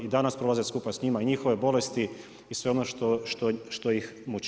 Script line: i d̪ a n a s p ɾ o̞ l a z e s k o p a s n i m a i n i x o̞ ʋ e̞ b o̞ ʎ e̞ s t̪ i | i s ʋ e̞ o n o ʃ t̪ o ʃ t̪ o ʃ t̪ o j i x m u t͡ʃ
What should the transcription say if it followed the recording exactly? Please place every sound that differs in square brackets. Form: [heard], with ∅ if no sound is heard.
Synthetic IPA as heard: i d̪ a n a s p ɾ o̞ l a z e s k [u] p a s [ɲ] i m a i [ɲ] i x o̞ ʋ e̞ b o̞ [l] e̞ s t̪ i | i s ʋ e̞ o n o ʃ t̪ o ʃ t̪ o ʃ t̪ o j i x m u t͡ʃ